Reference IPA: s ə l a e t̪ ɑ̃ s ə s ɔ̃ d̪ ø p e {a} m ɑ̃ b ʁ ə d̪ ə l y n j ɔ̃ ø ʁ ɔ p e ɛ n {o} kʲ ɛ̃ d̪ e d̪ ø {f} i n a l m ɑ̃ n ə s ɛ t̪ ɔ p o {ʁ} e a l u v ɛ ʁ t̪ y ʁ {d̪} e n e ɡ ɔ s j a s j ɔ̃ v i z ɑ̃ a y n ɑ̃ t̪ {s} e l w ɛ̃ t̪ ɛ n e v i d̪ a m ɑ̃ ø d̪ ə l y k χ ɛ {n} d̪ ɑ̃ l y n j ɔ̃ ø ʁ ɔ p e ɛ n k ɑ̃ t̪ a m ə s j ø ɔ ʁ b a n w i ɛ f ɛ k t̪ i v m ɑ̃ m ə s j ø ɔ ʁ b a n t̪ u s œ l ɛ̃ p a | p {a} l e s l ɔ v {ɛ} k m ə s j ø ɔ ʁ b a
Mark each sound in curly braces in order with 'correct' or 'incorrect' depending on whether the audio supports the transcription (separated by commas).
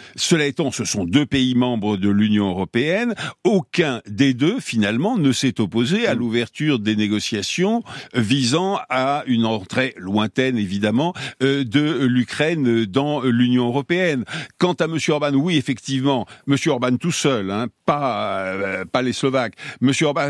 incorrect, correct, correct, incorrect, correct, incorrect, correct, correct, incorrect